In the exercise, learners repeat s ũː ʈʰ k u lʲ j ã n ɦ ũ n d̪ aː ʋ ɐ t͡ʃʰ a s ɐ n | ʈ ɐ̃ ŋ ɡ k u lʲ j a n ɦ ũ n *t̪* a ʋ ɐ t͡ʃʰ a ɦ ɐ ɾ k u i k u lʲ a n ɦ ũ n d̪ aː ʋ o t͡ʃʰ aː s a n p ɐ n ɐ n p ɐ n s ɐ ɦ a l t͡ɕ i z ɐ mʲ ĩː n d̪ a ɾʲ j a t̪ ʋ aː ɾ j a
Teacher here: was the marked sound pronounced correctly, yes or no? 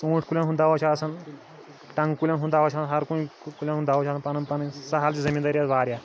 no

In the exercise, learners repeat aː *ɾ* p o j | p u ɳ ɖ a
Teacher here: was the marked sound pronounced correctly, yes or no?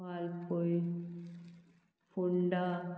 no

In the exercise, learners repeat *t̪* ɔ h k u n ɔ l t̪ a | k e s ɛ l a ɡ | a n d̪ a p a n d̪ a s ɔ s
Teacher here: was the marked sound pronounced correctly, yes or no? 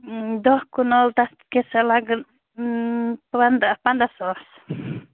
no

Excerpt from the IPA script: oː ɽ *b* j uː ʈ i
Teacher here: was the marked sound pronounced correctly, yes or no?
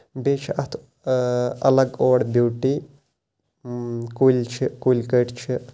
yes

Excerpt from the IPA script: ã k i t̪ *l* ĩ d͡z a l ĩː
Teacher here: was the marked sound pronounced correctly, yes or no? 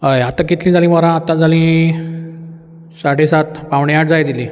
yes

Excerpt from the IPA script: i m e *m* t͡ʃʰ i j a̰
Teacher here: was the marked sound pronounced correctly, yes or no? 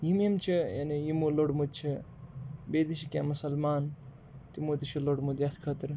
yes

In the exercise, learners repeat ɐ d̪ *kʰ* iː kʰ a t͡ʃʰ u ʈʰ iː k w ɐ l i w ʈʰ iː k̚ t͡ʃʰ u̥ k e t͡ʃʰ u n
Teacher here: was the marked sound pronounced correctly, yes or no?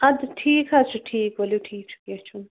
no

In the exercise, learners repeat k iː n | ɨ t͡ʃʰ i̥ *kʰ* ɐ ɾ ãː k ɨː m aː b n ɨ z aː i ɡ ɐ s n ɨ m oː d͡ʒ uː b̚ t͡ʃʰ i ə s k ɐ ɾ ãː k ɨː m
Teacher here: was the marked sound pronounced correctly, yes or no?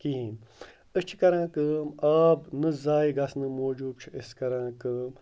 no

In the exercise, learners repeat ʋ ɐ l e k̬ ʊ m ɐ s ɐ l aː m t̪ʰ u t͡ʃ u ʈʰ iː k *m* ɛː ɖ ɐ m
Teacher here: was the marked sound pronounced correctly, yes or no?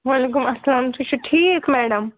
yes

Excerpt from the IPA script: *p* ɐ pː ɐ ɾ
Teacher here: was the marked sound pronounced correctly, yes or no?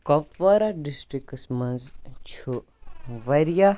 no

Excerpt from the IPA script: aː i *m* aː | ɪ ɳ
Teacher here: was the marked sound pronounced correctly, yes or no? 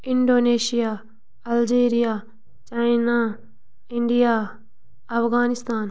no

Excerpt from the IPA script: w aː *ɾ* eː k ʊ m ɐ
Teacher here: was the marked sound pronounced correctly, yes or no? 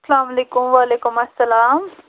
no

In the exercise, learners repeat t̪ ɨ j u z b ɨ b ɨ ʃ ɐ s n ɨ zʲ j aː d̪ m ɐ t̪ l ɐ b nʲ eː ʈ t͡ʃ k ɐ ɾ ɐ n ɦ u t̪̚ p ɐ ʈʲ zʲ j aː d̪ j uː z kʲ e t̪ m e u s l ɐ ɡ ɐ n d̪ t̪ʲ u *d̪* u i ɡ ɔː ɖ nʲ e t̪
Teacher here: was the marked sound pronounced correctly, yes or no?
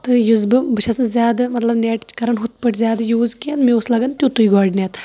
no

